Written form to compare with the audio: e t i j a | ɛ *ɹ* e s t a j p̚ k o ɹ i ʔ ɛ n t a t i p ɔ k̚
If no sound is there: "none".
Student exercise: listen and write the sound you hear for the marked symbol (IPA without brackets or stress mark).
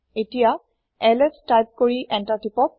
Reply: l